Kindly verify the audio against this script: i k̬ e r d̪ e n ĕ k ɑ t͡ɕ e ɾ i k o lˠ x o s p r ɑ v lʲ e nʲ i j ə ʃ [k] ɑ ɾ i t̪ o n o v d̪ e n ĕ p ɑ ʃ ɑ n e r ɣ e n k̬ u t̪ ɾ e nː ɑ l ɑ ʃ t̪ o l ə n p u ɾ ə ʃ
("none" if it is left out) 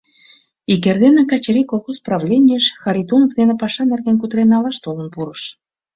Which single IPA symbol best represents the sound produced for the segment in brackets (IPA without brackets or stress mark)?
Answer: x